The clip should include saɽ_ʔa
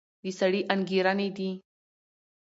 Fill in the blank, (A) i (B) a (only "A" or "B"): A